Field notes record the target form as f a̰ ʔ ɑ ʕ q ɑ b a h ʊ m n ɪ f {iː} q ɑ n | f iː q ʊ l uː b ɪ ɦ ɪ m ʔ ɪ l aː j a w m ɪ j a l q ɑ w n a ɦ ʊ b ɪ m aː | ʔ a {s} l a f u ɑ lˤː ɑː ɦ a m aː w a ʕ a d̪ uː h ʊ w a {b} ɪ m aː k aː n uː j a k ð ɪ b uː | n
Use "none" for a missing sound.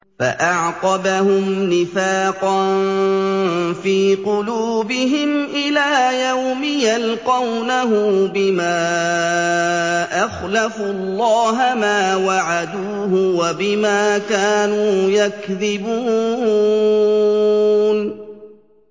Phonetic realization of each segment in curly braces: aː, x, b

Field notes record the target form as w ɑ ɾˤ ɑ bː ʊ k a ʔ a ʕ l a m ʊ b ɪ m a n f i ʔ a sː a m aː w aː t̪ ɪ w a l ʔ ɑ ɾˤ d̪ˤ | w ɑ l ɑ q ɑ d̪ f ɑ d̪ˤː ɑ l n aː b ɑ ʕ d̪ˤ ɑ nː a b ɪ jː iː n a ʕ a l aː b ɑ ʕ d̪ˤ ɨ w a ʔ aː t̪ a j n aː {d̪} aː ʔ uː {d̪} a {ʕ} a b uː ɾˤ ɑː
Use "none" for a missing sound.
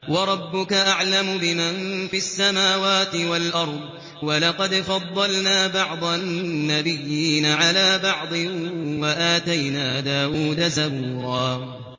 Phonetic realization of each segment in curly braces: d̪, d̪, z

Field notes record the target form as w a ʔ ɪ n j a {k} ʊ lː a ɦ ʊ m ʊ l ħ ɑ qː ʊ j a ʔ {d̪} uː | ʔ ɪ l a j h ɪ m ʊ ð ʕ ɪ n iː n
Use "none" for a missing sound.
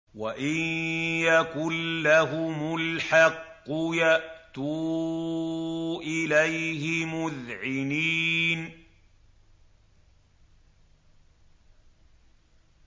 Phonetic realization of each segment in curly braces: k, t̪

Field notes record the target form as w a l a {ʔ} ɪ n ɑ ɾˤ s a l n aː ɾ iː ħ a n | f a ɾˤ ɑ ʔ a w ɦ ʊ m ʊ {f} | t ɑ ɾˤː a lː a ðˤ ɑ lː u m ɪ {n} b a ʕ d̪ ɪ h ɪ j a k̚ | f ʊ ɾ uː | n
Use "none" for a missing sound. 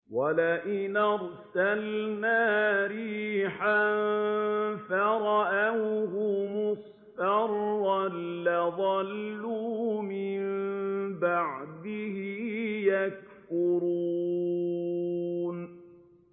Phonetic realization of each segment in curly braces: ʔ, s, m

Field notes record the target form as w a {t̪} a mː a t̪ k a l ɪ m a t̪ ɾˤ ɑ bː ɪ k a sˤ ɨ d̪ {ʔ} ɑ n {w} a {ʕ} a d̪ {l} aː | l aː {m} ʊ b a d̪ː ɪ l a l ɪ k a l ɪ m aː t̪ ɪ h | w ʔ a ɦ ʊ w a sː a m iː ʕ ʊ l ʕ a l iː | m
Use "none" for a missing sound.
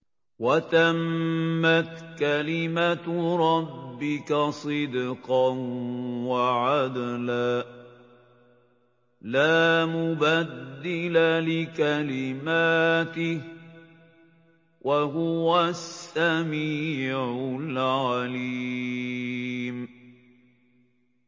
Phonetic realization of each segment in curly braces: t̪, q, w, ʕ, l, m

